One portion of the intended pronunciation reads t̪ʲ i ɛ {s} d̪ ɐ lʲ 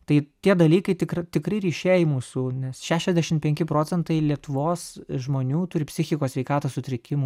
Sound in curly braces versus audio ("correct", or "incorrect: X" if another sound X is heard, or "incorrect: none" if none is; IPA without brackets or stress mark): incorrect: none